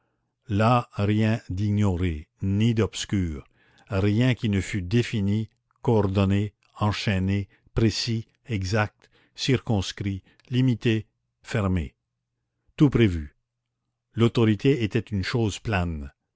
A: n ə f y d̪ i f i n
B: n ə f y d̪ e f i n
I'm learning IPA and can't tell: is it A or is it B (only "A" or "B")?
B